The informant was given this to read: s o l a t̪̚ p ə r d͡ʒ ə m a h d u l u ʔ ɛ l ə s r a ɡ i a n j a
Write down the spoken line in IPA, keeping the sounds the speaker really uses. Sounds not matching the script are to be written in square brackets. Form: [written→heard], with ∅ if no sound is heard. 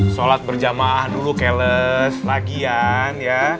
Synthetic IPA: s o l a t̪̚ [p→b] ə r d͡ʒ [ə→a] m a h d u l u [ʔ→k] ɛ l ə s [r→l] a ɡ i a n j a